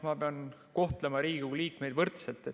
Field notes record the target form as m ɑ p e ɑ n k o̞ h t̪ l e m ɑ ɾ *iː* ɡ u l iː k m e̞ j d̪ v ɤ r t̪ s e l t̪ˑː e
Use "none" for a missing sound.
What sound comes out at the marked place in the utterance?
iː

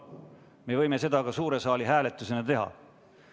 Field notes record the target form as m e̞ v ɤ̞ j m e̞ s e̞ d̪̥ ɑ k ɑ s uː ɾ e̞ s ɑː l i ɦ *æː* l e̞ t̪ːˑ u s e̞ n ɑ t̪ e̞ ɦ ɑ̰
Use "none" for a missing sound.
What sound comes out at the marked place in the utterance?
æː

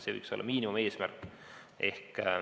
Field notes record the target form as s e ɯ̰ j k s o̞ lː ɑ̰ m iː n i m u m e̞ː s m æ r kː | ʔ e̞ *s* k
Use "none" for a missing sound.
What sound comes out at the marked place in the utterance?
h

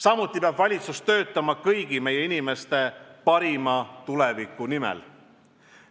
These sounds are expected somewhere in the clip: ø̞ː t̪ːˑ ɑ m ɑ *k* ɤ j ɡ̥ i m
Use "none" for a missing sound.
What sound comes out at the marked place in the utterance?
k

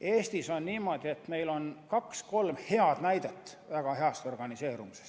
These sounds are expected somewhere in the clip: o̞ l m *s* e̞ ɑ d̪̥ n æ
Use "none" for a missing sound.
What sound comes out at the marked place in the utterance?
h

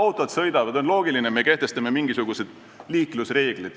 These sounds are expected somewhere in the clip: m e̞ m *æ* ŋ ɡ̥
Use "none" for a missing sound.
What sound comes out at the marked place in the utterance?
i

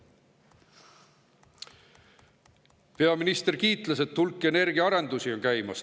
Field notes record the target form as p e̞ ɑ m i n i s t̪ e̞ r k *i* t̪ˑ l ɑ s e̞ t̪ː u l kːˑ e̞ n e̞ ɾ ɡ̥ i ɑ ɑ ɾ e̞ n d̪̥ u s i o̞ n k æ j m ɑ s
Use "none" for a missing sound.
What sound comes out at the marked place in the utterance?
iː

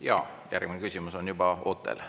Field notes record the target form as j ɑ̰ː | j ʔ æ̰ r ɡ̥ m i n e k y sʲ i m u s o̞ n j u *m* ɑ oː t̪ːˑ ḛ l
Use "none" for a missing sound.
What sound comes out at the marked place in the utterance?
b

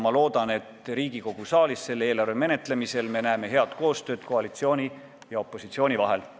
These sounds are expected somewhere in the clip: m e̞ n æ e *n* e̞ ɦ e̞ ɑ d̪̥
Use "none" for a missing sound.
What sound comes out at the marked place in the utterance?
m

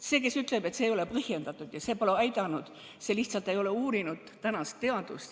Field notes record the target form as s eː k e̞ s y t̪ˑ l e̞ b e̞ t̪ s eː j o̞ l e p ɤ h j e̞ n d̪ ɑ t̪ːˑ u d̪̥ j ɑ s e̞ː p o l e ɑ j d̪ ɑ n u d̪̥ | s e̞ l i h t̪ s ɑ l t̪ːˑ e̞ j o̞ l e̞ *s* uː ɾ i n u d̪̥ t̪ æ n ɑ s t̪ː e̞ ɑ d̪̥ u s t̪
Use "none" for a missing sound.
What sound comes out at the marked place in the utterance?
none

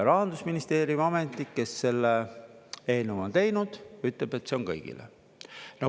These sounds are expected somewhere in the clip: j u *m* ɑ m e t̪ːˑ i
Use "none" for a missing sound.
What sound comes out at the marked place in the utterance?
m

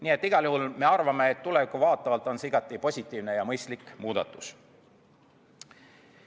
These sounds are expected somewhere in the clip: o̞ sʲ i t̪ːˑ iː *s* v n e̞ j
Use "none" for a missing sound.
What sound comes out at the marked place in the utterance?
none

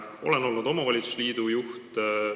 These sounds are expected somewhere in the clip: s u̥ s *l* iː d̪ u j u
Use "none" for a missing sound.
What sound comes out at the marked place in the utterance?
l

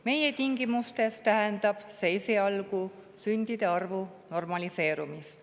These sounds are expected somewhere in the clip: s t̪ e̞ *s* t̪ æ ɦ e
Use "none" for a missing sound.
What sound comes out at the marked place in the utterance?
s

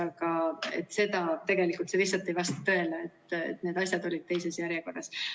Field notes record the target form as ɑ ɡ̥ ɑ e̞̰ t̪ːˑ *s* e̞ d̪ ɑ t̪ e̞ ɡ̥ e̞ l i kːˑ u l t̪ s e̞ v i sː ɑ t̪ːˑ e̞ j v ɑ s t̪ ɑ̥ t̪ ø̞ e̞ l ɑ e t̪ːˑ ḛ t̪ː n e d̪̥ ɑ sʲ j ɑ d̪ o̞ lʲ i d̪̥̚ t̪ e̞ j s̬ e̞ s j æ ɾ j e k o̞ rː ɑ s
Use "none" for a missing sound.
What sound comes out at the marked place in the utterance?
s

